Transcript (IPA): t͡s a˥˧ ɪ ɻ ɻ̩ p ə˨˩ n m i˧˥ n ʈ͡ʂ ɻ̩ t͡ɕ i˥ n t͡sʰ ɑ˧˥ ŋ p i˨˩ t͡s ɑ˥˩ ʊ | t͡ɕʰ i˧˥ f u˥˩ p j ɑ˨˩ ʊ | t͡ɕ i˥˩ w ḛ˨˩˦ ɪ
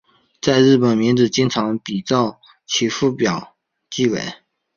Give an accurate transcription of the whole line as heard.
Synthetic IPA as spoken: t͡s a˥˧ ɪ ɻ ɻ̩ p ə˨˩ n m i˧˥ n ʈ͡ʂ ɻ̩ t͡ɕ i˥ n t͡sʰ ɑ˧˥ ŋ p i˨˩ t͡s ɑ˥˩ ʊ | t͡ɕʰ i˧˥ f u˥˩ p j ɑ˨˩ ʊ | t͡ɕ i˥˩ w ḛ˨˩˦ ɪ